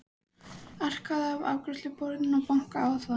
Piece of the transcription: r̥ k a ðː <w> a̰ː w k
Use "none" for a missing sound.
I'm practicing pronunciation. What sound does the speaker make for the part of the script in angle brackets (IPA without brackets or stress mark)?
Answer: v